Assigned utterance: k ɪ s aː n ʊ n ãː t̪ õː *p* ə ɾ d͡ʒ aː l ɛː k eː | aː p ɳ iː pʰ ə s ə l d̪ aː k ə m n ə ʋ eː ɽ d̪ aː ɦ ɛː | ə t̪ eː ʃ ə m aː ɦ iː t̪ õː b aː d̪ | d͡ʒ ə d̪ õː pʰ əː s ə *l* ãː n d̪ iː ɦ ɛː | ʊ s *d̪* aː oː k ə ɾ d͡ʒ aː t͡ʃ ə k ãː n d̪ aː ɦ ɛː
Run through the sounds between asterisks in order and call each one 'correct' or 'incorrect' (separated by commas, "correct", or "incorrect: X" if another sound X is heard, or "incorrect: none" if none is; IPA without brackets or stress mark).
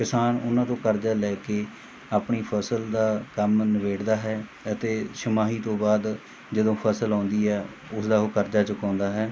incorrect: k, correct, correct